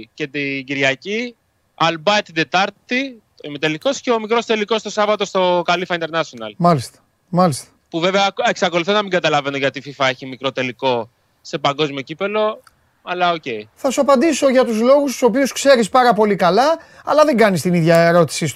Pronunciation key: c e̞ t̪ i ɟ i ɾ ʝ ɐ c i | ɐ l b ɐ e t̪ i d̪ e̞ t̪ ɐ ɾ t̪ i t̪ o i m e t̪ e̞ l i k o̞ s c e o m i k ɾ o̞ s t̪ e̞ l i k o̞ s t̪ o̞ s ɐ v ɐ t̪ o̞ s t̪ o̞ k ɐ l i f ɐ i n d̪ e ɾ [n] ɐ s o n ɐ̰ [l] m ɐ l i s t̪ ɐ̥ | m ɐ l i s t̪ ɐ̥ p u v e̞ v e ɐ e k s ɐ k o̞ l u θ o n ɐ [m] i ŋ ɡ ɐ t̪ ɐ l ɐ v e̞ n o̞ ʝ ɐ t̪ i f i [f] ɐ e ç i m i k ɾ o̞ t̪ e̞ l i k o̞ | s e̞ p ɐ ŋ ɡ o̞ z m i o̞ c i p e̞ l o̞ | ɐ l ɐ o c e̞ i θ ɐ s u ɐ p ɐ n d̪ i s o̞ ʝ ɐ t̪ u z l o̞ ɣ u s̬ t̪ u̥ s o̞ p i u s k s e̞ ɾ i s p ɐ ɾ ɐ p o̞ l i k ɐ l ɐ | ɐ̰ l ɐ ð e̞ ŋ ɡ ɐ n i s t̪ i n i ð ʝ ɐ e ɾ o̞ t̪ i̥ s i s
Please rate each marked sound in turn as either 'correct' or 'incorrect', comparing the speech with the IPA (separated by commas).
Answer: correct, correct, correct, correct